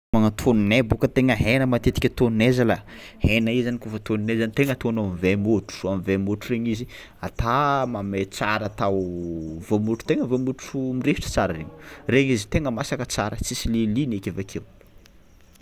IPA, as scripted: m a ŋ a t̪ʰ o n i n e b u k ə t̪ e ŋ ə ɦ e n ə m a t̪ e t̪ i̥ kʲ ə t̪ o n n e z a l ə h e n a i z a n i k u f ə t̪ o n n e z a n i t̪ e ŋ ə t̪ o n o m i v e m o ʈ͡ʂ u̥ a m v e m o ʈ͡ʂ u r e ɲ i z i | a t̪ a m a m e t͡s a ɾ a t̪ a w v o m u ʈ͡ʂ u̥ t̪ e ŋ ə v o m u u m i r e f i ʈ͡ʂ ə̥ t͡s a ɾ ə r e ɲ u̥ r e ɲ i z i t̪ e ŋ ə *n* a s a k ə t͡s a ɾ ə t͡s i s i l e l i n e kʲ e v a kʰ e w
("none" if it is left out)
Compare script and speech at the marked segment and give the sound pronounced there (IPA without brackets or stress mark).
m